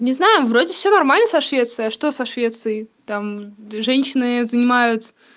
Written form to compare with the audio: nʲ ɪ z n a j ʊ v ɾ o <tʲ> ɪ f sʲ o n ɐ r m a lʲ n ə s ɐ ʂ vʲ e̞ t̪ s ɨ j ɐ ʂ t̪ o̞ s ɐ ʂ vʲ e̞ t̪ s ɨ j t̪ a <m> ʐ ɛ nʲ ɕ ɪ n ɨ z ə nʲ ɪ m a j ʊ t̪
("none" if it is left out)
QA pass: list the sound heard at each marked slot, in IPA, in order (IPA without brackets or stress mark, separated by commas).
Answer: dʲ, m